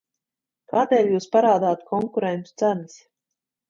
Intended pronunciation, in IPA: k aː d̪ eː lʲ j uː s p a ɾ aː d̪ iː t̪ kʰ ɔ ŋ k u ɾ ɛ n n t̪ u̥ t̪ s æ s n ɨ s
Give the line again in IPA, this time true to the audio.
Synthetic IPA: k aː d̪ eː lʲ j uː s p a ɾ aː d̪ aː t̪ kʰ ɔ ŋ k u ɾ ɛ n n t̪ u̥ t̪ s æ n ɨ s